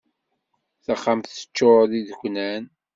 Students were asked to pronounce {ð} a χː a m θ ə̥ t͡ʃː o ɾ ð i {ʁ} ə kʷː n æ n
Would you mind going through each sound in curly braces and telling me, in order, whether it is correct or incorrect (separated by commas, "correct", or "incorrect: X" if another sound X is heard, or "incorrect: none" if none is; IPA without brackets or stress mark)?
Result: incorrect: θ, incorrect: ð